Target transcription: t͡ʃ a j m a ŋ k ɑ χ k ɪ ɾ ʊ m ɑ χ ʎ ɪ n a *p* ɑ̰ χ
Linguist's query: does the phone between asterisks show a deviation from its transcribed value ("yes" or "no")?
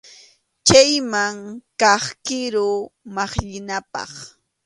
no